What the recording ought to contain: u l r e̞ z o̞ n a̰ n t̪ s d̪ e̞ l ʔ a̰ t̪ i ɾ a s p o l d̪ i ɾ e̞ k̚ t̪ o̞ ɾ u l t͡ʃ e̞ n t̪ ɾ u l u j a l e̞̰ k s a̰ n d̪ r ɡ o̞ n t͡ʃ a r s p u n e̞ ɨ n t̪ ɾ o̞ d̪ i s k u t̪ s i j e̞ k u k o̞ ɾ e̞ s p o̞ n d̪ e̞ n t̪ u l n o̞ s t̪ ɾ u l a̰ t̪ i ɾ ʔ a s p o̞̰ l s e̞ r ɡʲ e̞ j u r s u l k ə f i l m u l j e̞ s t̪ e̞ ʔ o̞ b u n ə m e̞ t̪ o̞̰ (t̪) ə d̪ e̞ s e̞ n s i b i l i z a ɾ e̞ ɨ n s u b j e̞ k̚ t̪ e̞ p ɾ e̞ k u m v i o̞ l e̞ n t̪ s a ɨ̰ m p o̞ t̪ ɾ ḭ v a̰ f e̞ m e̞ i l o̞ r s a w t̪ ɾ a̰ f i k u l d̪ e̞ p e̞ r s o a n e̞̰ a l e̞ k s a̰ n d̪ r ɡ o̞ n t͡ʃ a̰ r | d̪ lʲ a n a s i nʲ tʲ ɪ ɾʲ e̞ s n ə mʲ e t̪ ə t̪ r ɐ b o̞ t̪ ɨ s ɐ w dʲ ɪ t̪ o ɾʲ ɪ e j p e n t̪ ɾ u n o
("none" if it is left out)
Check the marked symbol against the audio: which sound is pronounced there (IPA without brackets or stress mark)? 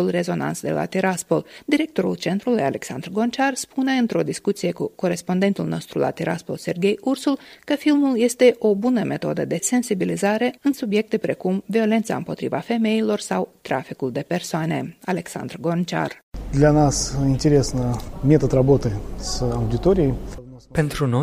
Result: d̪